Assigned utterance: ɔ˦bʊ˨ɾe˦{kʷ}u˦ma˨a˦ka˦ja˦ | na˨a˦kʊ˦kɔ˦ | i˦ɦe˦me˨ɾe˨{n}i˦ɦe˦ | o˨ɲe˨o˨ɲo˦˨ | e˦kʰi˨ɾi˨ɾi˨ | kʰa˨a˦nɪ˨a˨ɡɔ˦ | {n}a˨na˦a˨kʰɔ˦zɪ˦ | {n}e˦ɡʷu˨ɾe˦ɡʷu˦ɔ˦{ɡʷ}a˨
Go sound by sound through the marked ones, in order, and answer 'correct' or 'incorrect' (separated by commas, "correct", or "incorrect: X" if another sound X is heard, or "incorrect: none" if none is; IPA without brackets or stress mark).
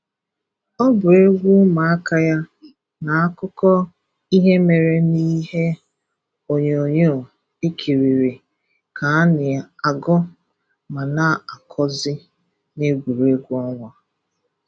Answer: incorrect: ɡʷ, correct, incorrect: m, correct, incorrect: ŋʷ